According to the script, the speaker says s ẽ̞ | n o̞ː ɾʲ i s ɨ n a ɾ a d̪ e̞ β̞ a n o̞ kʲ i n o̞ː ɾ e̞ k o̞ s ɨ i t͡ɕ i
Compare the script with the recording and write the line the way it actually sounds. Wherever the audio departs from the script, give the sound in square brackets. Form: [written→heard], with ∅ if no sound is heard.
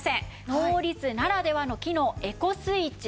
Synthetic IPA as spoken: s ẽ̞ | n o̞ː ɾʲ i [s→t͡s] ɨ n a ɾ a d̪ e̞ β̞ a n o̞ kʲ i n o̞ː [ɾ→∅] e̞ k o̞ s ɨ i t͡ɕ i

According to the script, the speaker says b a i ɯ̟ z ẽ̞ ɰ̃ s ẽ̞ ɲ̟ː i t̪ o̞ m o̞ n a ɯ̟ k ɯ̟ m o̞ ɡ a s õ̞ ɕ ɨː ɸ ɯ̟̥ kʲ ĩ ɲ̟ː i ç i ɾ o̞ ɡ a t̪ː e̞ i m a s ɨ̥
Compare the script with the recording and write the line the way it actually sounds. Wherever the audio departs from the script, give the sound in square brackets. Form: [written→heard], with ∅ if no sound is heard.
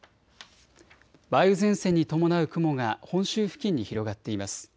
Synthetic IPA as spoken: b a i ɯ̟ z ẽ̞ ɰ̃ s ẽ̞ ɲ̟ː i t̪ o̞ m o̞ n a ɯ̟ k ɯ̟ m o̞ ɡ a [s→h] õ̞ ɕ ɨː ɸ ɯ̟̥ kʲ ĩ ɲ̟ː i ç i ɾ o̞ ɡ a t̪ː e̞ i m a s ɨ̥

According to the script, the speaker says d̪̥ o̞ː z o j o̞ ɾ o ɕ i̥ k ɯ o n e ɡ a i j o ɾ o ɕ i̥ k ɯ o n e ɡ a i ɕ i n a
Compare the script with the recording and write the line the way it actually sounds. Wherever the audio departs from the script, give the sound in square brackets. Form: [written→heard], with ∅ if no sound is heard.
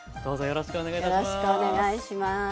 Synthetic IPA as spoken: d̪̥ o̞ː z o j o̞ ɾ o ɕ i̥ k ɯ o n e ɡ a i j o ɾ o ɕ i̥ k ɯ o n e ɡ a i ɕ i [n→m] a

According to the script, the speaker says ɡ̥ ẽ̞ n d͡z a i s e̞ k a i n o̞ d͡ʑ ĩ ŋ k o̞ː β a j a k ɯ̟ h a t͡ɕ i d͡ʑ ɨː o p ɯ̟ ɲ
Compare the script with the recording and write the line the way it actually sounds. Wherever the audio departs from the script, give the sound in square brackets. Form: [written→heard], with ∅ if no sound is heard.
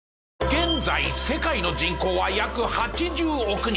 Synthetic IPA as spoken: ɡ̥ ẽ̞ n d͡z a i s e̞ k a i n o̞ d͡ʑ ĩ ŋ k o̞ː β a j a k ɯ̟ h a t͡ɕ i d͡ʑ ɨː o [p→k] ɯ̟ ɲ

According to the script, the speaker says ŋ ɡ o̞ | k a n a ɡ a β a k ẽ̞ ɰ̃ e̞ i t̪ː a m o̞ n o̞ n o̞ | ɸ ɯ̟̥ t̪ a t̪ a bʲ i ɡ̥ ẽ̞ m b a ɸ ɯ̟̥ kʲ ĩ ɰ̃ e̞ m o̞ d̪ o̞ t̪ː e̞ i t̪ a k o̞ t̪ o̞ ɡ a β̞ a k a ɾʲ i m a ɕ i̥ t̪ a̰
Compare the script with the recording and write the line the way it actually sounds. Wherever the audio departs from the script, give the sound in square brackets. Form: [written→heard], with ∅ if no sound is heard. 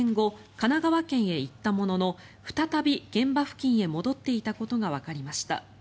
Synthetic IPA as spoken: ŋ ɡ o̞ | k a n a ɡ a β a k ẽ̞ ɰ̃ e̞ i t̪ː a m o̞ n o̞ n o̞ | ɸ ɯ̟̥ t̪ a t̪ a bʲ i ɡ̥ ẽ̞ m b a ɸ ɯ̟̥ kʲ ĩ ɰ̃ e̞ m o̞ d̪ o̞ t̪ː e̞ i t̪ a k o̞ t̪ o̞ ɡ a β̞ a k a ɾʲ i m a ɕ i̥ t̪ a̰

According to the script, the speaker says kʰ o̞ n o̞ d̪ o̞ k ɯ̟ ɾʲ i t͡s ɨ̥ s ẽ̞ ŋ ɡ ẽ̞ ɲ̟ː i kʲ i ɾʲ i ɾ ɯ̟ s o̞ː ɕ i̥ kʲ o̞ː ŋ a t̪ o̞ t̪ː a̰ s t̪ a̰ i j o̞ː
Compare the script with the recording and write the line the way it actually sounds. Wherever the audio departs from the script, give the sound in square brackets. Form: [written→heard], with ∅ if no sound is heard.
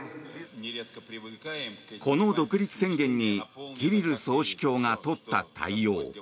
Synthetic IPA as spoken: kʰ o̞ n o̞ d̪ o̞ k ɯ̟ ɾʲ i t͡s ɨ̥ s ẽ̞ ŋ ɡ ẽ̞ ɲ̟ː i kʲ i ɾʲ i ɾ ɯ̟ s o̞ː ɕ i̥ kʲ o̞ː ŋ a t̪ o̞ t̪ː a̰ [s→∅] t̪ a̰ i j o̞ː

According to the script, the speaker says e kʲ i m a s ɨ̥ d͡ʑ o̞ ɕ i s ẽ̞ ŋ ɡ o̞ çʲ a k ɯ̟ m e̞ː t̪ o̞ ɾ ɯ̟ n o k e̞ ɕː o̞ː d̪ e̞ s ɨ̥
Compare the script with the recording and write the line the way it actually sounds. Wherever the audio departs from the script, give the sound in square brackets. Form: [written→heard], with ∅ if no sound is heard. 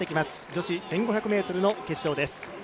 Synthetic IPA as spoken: e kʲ i m a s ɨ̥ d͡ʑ o̞ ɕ i s ẽ̞ ŋ ɡ o̞ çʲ a k ɯ̟ m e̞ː t̪ o̞ ɾ ɯ̟ n o k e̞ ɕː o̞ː d̪ e̞ s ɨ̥

